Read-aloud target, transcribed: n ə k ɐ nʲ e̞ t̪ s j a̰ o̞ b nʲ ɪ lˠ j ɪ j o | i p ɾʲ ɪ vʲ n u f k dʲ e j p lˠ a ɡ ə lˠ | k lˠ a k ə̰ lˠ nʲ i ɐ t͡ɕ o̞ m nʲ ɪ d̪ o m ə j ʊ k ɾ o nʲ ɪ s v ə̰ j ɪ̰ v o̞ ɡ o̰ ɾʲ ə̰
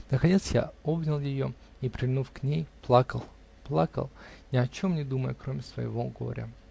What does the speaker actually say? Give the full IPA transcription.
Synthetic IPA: n ə k ɐ nʲ e̞ t̪ s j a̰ o̞ b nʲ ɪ lˠ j ɪ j o | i p ɾʲ ɪ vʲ n u f k nʲ e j p lˠ a k ə lˠ | p lˠ a k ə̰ lˠ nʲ ɪ ɐ t͡ɕ o̞ m nʲ ɪ d̪ u m ə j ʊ k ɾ o mʲ ɪ s v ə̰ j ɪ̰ v o̞ ɡ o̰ ɾʲ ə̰

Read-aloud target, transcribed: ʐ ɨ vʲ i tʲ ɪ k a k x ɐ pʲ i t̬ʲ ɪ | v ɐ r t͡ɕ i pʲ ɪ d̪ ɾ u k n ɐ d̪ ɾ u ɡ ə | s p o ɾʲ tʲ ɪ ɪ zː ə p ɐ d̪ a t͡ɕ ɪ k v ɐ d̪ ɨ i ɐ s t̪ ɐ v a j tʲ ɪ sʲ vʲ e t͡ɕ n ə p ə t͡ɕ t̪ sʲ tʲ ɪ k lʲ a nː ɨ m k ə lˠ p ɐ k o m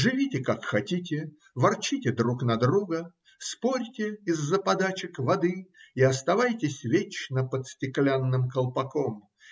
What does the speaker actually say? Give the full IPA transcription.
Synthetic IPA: ʐ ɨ vʲ i tʲ ɪ k a k x ɐ tʲ i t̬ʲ ɪ | v ɐ r t͡ɕ i tʲ ɪ d̪ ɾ u k n ɐ d̪ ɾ u ɡ ə | s p o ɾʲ tʲ ɪ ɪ zː ə p ɐ d̪ a t͡ɕ ɪ k v ɐ d̪ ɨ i ɐ s t̪ ɐ v a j tʲ ɪ sʲ vʲ e t͡ɕ n ə p ə t̪ sʲ tʲ ɪ k lʲ a nː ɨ m k ə lˠ p ɐ k o m

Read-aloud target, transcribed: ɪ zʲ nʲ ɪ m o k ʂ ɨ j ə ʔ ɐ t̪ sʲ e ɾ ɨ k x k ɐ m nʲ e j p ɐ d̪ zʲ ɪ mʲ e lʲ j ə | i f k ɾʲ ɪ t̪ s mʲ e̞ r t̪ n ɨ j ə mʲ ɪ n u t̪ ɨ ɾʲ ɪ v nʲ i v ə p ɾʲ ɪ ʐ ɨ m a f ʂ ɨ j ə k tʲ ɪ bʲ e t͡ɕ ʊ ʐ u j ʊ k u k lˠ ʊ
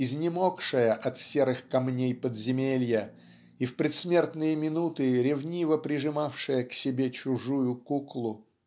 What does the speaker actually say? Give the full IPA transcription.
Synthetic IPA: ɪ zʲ nʲ ɪ m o k ʂ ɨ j ə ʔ ɐ t̪ sʲ e ɾ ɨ x k ɐ m nʲ e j p ə d̪ zʲ ɪ mʲ e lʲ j ə | i f p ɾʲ ɪ t̪ s mʲ e̞ r t̪ n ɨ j ə mʲ ɪ n u t̪ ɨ ɾʲ ɪ v nʲ i v ə p ɾʲ ɪ ʐ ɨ m a f ʂ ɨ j ə k sʲ ɪ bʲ e t͡ɕ ʊ ʐ u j ʊ k u k lˠ ʊ

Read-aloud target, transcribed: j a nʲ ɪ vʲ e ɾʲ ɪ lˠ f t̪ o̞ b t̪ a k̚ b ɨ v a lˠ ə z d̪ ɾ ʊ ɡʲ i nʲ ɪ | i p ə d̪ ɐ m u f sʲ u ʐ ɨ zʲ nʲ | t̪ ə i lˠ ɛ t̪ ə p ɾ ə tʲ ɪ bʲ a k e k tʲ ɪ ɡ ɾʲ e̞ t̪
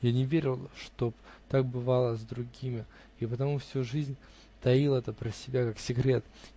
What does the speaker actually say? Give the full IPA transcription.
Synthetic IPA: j a nʲ ɪ vʲ e ɾʲ ɪ lˠ ʂ t̪ o̞ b t̪ a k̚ b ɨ v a lˠ ə z d̪ ɾ ʊ ɡʲ i mʲ ɪ | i p ə t̪ ɐ m u f sʲ u ʐ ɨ zʲ nʲ | t̪ ɐ i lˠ ɛ t̪ ə p ɾ ə sʲ ɪ bʲ a k a k sʲ ɪ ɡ ɾʲ e̞ t̪

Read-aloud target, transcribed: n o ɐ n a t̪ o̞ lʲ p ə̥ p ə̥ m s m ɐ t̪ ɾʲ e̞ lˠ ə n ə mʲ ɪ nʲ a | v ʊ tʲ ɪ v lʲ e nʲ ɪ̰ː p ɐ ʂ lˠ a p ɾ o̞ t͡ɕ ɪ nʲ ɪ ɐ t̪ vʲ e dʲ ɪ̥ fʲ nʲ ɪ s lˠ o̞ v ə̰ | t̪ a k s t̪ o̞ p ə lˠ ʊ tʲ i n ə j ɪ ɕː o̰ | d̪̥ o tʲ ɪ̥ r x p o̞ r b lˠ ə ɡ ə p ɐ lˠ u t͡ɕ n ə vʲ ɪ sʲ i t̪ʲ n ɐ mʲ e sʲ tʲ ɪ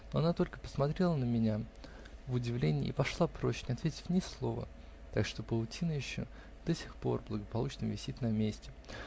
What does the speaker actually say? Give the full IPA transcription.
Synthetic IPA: n o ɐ n a t̪ o̞ lʲ k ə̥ p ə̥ s m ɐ t̪ ɾʲ e̞ lˠ ə n ə mʲ ɪ nʲ a | v ʊ dʲ ɪ v lʲ e nʲ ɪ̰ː p ɐ ʂ lˠ a p ɾ o̞ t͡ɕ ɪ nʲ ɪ ɐ t̪ vʲ e tʲ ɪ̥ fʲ nʲ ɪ s lˠ o̞ v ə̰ | t̪ a k ʂ t̪ o̞ p ə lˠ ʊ tʲ i n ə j ɪ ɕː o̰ | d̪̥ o sʲ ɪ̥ x p o̞ r b lˠ ə ɡ ə p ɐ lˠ u t͡ɕ n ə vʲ ɪ sʲ i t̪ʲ n ɐ mʲ e sʲ tʲ ɪ

